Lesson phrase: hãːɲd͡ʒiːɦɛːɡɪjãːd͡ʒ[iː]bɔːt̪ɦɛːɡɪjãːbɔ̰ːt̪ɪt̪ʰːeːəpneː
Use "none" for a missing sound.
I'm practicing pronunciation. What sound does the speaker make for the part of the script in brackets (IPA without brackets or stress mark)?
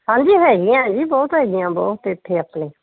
iː